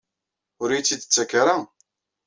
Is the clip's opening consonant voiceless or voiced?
voiced